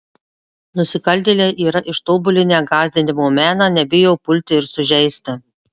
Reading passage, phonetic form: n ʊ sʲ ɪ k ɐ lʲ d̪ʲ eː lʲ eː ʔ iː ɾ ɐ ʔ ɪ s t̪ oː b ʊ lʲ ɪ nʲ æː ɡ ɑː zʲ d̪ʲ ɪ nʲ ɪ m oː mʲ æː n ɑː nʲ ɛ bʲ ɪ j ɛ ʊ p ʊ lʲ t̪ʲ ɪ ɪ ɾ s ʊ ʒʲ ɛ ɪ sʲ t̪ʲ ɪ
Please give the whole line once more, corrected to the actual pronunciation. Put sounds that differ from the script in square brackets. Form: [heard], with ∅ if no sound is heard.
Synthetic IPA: n ʊ sʲ ɪ k ɐ lʲ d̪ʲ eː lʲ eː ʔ iː ɾ ɐ ʔ ɪ [ʃ] t̪ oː b ʊ lʲ ɪ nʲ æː ɡ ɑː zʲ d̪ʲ ɪ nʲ ɪ m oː mʲ æː n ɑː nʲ ɛ bʲ ɪ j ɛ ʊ p ʊ lʲ t̪ʲ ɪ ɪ ɾ s ʊ ʒʲ ɛ ɪ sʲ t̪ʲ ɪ